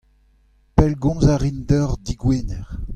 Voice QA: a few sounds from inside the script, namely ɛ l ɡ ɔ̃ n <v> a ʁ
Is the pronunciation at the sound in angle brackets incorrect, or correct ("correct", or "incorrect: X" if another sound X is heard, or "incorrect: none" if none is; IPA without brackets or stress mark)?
incorrect: z